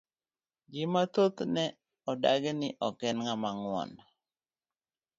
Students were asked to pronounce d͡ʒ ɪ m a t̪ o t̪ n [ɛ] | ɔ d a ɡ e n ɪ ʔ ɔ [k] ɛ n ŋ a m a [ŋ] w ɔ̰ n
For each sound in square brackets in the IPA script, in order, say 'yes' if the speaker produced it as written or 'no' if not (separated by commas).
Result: yes, yes, yes